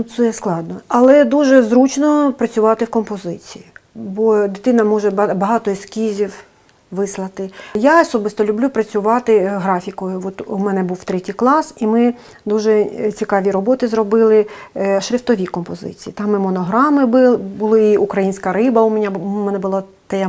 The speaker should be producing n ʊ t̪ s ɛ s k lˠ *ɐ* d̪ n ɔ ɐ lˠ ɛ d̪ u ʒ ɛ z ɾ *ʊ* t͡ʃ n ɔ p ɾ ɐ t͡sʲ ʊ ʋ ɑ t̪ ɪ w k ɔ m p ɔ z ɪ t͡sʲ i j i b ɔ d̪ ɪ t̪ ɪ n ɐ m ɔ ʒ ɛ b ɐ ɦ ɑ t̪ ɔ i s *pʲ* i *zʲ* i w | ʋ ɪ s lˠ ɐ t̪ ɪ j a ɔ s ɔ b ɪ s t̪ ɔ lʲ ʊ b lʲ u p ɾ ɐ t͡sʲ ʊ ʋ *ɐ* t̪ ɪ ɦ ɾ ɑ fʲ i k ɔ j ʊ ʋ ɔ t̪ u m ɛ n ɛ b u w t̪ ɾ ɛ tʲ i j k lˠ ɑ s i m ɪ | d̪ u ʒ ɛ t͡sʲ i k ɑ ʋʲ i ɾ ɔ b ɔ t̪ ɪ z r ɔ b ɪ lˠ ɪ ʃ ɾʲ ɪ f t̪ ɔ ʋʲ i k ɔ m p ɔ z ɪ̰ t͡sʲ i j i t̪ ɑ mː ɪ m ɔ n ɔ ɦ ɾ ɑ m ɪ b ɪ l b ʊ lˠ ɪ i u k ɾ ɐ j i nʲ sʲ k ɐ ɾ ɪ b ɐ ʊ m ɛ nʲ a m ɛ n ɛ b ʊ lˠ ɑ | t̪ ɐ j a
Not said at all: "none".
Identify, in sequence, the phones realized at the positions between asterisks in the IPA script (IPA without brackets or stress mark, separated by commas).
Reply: ɑ, u, kʲ, zʲ, ɑ